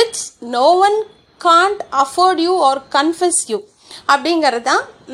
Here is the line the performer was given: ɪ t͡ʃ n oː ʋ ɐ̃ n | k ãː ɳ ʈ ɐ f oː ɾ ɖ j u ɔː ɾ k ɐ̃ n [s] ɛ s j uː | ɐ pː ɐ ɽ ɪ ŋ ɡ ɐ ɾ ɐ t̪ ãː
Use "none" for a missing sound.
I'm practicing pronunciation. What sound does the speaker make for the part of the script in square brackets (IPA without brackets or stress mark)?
f